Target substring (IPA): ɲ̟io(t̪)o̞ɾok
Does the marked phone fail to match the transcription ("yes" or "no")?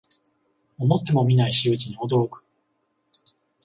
yes